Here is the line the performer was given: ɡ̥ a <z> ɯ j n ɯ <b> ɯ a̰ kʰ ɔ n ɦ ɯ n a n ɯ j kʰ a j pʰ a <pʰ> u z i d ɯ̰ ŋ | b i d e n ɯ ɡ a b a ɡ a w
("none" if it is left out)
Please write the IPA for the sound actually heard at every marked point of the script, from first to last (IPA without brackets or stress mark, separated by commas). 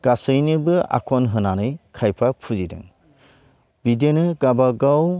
s, b, pʰ